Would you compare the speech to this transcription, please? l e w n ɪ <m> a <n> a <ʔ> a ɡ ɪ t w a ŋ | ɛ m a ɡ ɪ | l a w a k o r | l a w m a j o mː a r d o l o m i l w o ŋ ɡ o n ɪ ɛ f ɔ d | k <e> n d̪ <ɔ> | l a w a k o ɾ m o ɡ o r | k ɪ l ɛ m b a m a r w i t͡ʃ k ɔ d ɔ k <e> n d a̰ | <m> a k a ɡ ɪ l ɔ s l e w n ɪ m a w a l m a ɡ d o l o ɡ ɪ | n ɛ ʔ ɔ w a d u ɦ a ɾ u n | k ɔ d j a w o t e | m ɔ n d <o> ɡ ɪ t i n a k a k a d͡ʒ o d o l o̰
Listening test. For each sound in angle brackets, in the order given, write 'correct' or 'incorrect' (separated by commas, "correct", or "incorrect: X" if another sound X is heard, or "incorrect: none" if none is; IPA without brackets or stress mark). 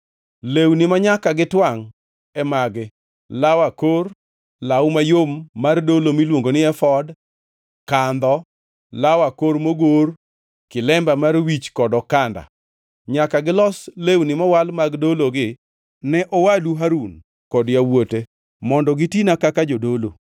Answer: correct, incorrect: ɲ, incorrect: k, incorrect: a, correct, incorrect: a, incorrect: ɲ, incorrect: ɔ